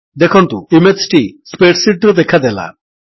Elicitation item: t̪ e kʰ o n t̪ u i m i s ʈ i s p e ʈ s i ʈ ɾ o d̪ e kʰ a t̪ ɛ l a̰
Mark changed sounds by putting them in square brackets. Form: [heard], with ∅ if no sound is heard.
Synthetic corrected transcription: [d̪] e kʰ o n t̪ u i m [e] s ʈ i s p e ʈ s i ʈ ɾ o d̪ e kʰ a [d̪] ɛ l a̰